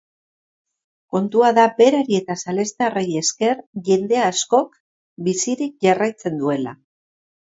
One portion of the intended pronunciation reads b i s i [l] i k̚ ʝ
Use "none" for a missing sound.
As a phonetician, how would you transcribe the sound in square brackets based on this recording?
ɾ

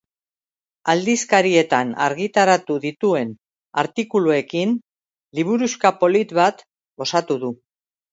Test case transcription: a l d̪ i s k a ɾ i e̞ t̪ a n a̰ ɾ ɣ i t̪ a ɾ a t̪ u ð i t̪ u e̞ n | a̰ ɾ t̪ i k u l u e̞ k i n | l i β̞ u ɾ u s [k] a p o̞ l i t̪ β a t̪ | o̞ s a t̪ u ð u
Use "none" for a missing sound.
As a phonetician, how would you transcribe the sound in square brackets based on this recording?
k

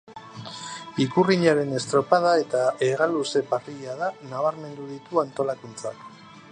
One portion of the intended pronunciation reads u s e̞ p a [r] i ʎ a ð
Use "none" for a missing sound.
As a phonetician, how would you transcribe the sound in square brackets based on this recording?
r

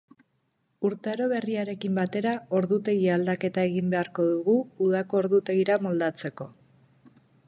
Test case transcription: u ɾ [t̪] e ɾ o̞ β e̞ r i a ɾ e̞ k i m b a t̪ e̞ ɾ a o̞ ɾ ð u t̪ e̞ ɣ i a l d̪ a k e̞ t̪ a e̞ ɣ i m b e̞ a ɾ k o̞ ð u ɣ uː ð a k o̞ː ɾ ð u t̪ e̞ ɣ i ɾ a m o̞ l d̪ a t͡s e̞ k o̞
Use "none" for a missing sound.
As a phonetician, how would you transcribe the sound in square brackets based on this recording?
t̪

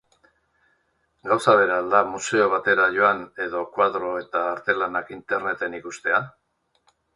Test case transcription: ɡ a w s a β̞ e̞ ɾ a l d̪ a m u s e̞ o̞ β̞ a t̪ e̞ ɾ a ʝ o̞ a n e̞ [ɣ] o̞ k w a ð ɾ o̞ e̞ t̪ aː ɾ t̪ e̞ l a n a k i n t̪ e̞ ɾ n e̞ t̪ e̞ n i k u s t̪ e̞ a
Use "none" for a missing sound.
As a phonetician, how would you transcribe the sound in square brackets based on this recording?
ð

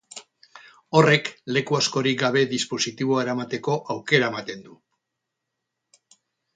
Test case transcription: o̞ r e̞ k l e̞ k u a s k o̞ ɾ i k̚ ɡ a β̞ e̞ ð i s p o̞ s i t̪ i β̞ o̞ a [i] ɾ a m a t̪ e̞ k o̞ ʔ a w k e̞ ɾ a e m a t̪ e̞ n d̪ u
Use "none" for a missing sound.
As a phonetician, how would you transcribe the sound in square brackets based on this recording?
e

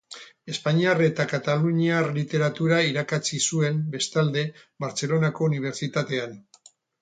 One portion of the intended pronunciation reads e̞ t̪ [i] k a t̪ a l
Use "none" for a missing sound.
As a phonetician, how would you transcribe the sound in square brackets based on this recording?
a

